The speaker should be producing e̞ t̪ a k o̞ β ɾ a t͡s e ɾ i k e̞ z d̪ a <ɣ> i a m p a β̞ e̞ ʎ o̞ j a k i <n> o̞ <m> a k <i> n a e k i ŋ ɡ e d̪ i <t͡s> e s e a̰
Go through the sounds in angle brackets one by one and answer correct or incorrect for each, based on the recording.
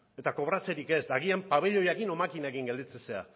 correct, correct, correct, correct, correct

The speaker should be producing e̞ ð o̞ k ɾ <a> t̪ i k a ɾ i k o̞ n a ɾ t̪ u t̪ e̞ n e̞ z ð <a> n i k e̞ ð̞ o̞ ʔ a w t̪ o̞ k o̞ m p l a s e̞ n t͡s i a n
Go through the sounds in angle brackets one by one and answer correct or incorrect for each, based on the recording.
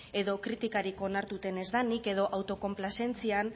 incorrect: i, correct

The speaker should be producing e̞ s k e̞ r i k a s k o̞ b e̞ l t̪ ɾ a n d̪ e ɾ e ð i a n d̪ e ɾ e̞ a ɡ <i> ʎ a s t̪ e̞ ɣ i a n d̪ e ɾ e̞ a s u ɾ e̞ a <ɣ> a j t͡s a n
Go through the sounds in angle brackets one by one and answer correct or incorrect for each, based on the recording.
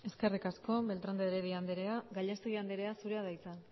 incorrect: a, incorrect: ð

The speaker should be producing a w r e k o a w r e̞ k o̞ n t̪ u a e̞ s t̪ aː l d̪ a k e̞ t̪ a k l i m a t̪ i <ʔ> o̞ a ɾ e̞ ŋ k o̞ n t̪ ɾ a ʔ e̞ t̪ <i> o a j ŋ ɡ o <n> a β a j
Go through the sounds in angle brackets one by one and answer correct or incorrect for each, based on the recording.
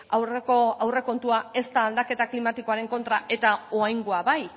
incorrect: k, incorrect: a, incorrect: none

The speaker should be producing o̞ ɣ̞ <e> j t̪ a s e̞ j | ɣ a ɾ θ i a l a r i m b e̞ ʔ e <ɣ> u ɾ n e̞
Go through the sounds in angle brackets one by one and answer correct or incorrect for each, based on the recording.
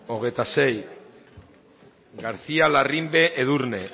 correct, incorrect: ð

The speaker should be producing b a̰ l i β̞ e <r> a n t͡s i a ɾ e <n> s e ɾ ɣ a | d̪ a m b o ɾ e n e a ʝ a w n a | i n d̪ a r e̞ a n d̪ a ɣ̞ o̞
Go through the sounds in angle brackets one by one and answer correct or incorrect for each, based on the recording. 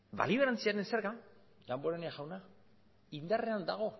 incorrect: ɾ, correct

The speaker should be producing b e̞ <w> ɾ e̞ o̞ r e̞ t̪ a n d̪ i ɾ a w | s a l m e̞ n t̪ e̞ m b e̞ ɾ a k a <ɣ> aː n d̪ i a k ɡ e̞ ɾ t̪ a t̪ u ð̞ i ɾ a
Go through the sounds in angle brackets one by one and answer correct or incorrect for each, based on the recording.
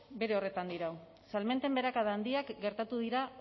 incorrect: none, incorrect: ð

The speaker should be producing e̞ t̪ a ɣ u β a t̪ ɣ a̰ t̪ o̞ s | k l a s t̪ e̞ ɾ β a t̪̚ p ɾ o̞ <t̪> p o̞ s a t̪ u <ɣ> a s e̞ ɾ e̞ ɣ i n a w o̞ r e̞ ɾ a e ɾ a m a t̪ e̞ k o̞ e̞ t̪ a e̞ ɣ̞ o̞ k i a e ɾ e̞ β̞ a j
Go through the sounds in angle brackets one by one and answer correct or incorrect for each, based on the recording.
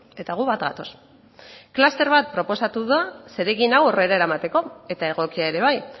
incorrect: none, incorrect: ð

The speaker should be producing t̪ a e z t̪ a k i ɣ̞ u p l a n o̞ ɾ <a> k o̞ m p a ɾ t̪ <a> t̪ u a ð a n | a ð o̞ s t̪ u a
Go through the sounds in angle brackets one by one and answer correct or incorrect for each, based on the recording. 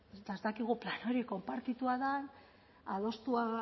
incorrect: i, incorrect: i

